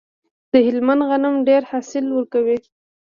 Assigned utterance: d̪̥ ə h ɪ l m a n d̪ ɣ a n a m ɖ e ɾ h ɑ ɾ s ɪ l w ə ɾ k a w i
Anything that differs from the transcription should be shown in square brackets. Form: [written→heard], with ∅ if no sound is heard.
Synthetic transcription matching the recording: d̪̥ ə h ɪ l m a n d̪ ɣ a n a m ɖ e ɾ h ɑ [ɾ→∅] s ɪ l w ə ɾ k a w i